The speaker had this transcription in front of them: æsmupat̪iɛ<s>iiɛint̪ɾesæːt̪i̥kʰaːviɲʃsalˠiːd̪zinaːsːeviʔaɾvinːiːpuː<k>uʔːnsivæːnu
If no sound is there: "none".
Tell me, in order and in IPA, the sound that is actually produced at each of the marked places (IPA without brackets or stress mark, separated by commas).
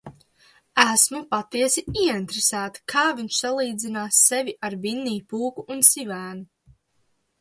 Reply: s, k